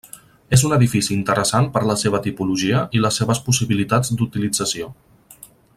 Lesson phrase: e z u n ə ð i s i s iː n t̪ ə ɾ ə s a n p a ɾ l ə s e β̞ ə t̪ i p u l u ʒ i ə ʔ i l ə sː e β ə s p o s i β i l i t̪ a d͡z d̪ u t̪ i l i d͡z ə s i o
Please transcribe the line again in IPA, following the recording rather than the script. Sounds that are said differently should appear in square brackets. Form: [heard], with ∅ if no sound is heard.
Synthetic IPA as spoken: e z u n ə ð i [f] i s iː n t̪ ə ɾ ə s a n p [ə] ɾ l ə s e β̞ ə t̪ i p u l u ʒ i ə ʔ i l ə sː e β ə s p [u] s i β i l i t̪ a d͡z d̪ u t̪ i l i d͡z ə s i o